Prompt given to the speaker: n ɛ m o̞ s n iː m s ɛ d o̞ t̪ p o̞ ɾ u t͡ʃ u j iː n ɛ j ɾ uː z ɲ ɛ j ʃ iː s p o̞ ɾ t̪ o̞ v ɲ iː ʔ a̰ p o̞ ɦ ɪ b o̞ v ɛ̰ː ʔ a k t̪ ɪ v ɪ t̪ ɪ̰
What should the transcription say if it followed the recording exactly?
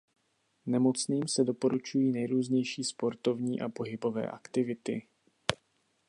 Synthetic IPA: n ɛ m o̞ t͡s n iː m s ɛ d o̞ p o̞ ɾ u t͡ʃ u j iː n ɛ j ɾ uː z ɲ ɛ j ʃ iː s p o̞ ɾ t̪ o̞ v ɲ iː ʔ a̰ p o̞ ɦ ɪ b o̞ v ɛ̰ː ʔ a k t̪ ɪ v ɪ t̪ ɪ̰